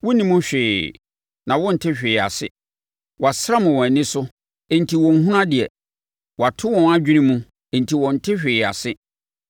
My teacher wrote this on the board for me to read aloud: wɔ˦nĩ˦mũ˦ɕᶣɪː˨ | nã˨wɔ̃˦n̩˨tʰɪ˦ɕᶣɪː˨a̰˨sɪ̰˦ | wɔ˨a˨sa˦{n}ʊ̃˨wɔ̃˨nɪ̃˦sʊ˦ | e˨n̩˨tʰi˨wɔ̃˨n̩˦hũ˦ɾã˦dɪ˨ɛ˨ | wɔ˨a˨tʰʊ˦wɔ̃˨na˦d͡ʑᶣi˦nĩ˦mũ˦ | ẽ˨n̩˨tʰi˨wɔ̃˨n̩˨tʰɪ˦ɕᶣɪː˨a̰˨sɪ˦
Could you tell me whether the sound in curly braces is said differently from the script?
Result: yes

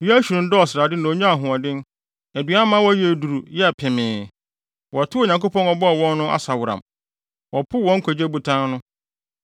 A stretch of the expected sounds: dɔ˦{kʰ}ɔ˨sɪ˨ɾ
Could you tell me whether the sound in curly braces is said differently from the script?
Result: yes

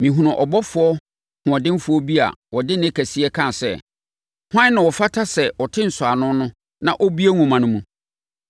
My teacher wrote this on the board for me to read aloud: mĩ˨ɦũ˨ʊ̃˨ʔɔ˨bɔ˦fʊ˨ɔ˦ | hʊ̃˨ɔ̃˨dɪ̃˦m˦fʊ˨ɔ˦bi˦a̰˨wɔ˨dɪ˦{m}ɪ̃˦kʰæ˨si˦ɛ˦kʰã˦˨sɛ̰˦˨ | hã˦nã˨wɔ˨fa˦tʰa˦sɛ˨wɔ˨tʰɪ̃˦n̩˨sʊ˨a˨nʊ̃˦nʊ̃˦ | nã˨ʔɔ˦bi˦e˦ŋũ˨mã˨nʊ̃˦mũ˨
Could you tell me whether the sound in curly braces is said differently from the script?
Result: yes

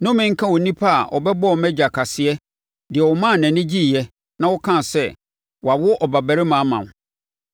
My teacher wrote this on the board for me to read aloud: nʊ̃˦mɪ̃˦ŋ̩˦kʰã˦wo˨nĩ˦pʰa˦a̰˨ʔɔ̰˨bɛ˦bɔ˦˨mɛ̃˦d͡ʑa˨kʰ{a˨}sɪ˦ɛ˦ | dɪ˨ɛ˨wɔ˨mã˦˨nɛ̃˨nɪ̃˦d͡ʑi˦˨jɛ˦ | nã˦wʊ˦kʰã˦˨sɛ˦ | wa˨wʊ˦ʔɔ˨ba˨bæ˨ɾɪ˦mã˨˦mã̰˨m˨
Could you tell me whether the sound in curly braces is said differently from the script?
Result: no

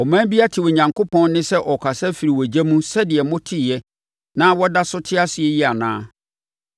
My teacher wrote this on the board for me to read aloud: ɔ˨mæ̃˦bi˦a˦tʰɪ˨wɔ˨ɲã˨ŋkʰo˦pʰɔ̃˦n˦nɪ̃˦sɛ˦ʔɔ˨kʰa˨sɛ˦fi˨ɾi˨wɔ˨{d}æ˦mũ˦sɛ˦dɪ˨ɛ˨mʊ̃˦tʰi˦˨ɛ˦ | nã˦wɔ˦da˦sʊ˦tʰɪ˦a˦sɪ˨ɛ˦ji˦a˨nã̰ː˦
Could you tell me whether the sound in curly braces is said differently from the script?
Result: yes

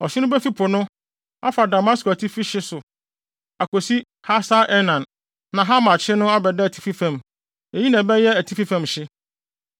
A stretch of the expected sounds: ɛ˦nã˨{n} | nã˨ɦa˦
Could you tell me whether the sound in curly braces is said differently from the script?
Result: no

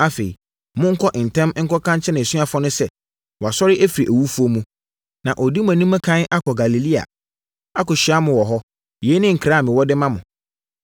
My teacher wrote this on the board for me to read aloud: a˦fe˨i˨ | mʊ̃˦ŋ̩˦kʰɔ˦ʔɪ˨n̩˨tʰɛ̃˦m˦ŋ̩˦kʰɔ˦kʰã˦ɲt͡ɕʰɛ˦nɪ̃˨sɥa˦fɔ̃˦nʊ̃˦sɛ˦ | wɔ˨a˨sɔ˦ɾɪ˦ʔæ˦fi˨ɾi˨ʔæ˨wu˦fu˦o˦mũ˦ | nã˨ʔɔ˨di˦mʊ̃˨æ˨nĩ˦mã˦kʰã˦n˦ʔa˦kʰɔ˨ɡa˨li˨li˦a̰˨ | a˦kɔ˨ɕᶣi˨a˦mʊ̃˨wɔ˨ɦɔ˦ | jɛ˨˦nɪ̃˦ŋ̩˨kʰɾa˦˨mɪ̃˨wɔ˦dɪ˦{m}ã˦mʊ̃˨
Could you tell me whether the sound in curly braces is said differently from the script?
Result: no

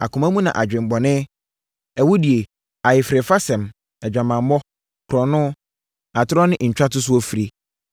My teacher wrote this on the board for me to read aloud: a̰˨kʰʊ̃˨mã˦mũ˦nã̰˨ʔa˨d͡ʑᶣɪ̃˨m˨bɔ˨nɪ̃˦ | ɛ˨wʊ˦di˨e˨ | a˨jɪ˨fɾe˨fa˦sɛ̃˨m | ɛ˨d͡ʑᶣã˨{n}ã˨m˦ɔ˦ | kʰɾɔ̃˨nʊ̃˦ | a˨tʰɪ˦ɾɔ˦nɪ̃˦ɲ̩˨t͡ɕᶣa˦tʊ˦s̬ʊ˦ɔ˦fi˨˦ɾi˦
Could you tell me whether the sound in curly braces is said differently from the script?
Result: yes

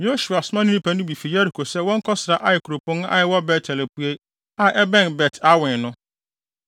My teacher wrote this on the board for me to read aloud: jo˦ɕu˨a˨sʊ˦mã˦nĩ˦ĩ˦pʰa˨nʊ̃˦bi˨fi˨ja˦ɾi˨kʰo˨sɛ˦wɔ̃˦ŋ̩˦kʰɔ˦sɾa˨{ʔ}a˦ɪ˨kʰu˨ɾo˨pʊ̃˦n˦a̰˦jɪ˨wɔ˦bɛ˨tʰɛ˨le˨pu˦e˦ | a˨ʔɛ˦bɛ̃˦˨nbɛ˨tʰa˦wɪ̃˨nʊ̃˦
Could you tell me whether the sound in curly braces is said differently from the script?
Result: no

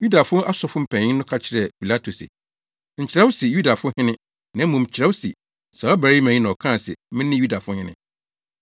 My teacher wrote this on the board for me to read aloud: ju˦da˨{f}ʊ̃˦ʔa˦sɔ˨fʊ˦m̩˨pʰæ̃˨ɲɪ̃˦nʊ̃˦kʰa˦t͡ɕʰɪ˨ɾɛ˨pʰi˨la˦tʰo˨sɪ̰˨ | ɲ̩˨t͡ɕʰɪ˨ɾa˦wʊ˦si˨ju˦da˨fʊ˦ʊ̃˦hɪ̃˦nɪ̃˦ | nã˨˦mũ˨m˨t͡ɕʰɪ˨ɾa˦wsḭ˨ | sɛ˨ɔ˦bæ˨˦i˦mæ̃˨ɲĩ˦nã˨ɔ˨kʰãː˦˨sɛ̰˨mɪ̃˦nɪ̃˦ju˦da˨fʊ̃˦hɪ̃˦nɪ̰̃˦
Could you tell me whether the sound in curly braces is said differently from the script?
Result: no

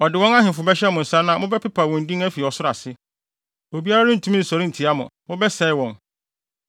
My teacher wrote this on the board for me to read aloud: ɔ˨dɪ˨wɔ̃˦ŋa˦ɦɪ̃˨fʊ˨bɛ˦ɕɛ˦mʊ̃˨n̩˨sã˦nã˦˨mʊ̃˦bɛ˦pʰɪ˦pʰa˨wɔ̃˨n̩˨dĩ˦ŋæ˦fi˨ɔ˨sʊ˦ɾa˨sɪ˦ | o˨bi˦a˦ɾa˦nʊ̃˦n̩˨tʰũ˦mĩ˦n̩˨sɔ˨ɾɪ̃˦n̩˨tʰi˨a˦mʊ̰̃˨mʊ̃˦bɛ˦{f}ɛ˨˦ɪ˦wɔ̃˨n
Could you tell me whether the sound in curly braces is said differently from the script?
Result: yes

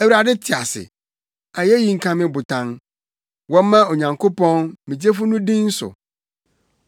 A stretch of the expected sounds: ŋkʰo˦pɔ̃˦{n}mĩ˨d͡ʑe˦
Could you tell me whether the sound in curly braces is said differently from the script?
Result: no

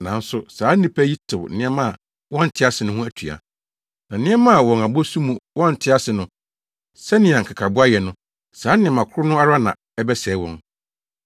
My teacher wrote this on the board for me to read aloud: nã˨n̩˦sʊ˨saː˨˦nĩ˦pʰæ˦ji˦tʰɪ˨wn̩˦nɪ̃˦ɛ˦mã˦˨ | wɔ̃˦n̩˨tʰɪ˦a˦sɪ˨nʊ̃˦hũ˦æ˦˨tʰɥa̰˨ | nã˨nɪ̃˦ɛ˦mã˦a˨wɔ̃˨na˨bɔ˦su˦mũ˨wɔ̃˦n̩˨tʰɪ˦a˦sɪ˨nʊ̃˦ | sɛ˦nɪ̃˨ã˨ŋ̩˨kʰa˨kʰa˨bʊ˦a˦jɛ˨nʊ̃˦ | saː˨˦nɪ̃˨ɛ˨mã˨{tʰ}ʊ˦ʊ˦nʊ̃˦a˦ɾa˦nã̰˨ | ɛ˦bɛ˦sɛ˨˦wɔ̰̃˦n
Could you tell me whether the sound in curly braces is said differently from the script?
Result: yes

